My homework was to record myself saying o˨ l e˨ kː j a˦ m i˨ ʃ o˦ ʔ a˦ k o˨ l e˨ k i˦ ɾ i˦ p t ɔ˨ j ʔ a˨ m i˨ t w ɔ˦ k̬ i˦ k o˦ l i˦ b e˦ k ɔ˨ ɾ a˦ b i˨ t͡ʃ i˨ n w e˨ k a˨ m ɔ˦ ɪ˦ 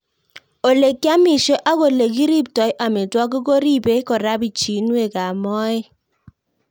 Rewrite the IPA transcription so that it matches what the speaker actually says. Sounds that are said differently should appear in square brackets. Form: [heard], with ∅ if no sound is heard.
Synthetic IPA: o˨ l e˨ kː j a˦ m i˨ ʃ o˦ ʔ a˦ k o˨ l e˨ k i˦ ɾ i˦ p t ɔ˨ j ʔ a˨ m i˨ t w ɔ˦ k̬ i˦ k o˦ [ɾ] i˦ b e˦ k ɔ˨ ɾ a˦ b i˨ t͡ʃ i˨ n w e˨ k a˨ m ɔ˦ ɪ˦